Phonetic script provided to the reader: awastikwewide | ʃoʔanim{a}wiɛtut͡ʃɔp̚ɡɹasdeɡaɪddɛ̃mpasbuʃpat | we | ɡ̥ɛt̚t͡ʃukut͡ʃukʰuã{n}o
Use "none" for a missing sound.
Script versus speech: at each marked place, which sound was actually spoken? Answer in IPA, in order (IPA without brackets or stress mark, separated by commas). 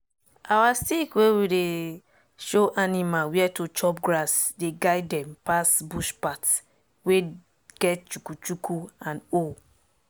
a, n